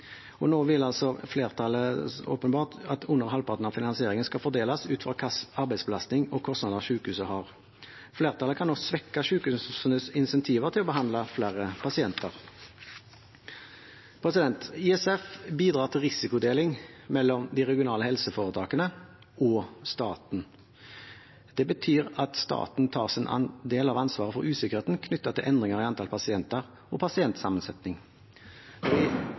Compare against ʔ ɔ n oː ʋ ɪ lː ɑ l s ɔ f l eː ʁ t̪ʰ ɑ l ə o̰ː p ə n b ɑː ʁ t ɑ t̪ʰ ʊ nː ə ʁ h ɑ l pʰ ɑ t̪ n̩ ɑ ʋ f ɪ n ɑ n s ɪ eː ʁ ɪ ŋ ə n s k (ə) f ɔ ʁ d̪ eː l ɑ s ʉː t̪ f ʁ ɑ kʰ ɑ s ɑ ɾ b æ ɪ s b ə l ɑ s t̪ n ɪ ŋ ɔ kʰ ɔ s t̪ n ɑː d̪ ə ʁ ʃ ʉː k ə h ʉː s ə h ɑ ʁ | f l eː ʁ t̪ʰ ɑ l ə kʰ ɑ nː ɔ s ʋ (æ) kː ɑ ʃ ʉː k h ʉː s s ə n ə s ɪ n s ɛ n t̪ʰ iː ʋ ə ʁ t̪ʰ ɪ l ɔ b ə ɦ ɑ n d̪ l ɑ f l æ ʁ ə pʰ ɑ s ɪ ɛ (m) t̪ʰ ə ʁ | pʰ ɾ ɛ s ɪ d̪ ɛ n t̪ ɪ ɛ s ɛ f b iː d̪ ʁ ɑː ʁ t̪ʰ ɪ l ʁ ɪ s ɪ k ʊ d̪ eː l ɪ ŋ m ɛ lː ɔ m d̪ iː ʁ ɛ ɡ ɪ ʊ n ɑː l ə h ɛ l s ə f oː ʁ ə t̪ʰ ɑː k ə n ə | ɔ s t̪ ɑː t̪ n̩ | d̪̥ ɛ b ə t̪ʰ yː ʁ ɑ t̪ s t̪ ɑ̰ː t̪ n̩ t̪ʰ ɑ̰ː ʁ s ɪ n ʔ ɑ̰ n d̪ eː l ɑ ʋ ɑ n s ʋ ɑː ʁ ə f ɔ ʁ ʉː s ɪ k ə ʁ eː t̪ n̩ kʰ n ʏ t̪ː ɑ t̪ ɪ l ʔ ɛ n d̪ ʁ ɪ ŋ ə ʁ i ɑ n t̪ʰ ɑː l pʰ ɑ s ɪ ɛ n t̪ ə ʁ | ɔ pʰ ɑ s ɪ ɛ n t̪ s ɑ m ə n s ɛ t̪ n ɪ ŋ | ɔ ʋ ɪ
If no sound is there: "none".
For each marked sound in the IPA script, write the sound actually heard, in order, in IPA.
ɑ, ɛ, n

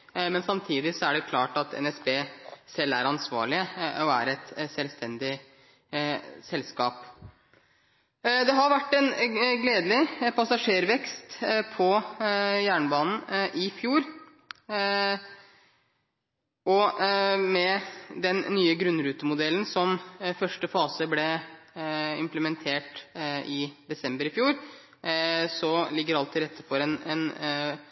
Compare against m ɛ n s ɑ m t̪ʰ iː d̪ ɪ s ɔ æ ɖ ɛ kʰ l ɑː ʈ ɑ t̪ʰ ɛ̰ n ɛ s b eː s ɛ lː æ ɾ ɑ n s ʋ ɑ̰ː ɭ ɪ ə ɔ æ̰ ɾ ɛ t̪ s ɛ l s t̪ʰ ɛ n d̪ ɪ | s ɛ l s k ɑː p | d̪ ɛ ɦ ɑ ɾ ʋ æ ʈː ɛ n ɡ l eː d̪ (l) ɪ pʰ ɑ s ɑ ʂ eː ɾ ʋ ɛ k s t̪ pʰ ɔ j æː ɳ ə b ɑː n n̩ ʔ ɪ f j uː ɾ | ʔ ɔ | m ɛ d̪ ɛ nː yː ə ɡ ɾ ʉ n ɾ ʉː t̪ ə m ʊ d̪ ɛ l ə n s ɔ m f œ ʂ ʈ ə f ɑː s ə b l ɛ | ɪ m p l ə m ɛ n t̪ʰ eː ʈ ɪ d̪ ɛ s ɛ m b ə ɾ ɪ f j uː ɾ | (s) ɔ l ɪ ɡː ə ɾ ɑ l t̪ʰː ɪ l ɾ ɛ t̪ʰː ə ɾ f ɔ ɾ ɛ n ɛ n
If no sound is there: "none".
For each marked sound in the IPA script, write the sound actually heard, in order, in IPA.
l, s

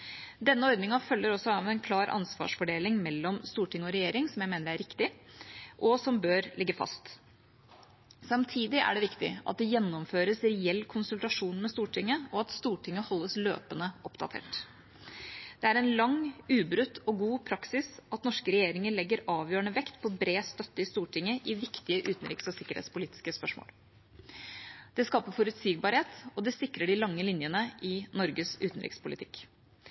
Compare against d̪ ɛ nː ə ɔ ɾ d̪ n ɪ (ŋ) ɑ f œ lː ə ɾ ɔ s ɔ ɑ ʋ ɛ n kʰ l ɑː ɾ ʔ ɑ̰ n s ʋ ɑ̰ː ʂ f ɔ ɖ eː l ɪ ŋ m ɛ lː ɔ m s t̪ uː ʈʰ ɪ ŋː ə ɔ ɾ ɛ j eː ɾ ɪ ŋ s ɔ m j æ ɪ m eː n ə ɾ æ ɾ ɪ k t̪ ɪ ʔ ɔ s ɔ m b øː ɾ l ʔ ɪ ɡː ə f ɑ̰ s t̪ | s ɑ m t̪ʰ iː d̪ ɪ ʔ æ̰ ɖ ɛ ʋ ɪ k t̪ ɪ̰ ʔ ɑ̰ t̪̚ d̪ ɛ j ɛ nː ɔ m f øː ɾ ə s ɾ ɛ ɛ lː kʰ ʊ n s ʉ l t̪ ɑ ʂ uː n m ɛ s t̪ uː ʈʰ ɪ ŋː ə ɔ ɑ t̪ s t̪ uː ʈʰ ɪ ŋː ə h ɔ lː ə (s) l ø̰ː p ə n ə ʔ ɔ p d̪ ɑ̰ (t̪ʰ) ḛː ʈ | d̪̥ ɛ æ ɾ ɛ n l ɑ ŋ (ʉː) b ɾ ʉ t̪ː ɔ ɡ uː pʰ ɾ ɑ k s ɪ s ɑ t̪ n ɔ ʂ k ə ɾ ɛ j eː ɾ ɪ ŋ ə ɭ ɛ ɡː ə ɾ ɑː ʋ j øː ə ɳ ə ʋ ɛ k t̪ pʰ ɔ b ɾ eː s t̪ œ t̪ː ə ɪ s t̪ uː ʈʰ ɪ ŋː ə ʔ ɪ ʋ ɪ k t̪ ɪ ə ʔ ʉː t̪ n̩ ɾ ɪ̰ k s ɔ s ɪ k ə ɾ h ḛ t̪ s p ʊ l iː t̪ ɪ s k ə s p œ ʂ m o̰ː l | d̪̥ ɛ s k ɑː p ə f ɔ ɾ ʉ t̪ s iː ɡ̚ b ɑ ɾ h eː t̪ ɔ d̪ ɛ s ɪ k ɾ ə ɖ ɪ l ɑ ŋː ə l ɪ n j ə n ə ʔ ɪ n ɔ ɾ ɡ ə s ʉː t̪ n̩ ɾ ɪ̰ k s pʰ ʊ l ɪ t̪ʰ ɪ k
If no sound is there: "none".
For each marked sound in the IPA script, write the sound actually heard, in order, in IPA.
ŋ, s, t̪ʰ, ʉː

